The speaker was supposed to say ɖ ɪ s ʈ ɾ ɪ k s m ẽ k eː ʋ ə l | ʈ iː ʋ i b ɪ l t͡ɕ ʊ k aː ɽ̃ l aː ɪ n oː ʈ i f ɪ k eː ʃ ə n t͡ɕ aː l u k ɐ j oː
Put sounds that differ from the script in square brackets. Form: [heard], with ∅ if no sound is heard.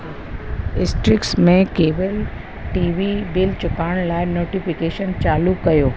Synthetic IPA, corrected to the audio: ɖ ɪ s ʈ ɾ ɪ k s m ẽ k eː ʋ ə l | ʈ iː ʋ i b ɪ l t͡ɕ ʊ k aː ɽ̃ l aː ɪ n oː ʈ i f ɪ k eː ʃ ə n t͡ɕ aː l u k ɐ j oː